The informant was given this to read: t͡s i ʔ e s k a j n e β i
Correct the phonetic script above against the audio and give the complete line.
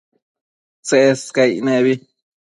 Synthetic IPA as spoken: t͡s e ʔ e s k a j n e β i